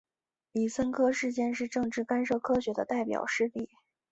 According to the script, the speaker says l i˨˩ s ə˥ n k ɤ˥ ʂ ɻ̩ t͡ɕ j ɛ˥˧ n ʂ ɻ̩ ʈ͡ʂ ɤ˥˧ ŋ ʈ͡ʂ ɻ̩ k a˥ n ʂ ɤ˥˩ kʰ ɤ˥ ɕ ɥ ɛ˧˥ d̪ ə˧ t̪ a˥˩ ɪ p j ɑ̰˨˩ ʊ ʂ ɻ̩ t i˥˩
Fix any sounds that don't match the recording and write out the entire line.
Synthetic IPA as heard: l i˨˩ s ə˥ n kʰ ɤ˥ ʂ ɻ̩ t͡ɕ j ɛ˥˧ n ʂ ɻ̩ ʈ͡ʂ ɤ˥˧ ŋ ʈ͡ʂ ɻ̩ k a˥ n ʂ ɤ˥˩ kʰ ɤ˥ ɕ ɥ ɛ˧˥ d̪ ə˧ t̪ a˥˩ ɪ p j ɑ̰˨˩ ʊ ʂ ɻ̩ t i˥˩